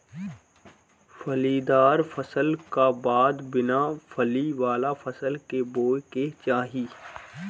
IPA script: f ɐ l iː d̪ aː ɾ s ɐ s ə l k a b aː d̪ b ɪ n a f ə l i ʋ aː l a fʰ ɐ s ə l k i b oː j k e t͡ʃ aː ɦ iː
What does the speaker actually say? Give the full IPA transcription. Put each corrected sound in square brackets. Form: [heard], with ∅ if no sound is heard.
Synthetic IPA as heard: f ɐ l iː d̪ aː ɾ [f] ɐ s ə l k a b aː d̪ b ɪ n a f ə l i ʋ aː l a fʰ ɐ s ə l k [e] b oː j k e t͡ʃ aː ɦ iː